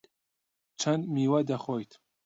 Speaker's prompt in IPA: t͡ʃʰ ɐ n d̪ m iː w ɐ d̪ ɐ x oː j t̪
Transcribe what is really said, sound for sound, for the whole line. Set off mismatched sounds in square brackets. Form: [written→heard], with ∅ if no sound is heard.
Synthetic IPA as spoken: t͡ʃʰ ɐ n d̪ m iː w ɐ d̪ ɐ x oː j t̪